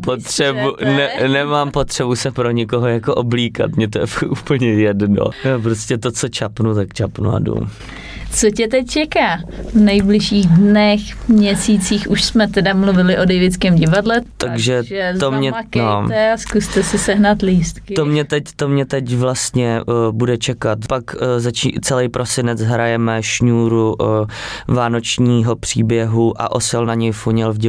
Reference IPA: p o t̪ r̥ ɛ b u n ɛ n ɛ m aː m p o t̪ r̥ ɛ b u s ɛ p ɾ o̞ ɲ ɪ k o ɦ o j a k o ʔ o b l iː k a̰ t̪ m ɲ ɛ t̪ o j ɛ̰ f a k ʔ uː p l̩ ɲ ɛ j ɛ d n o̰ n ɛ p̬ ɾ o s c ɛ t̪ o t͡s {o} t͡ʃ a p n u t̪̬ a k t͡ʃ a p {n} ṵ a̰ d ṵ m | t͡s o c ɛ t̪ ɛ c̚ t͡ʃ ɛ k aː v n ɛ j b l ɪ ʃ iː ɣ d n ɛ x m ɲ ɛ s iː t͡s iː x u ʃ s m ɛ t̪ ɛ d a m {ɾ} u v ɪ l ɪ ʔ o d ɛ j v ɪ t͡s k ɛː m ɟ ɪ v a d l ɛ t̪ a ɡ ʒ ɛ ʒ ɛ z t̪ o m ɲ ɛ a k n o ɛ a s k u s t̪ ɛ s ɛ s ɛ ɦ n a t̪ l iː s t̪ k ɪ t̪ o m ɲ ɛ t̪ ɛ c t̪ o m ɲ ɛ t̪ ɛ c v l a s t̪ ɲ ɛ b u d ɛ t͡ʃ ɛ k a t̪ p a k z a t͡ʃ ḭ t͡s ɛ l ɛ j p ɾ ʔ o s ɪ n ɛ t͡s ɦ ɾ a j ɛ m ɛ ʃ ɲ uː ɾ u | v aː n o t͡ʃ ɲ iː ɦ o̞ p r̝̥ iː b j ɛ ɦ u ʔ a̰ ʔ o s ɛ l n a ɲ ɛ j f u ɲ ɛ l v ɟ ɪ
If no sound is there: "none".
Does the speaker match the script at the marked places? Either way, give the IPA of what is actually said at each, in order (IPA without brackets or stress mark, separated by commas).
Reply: o, n, l